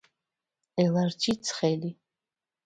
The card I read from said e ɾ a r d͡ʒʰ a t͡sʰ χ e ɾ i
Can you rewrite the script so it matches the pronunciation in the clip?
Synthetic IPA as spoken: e l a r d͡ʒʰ i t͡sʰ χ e l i